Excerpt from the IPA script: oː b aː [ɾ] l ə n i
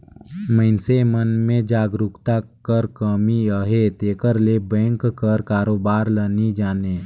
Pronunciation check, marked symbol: correct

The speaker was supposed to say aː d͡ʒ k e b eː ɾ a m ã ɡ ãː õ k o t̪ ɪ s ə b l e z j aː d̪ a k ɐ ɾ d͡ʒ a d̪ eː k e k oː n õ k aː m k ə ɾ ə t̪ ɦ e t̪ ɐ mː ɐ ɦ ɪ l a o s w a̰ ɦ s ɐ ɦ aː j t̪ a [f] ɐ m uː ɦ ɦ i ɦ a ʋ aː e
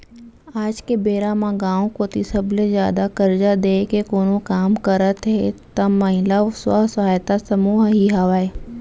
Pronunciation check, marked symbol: incorrect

